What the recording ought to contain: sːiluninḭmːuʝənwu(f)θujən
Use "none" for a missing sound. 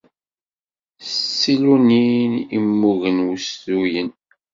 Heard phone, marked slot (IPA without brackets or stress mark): s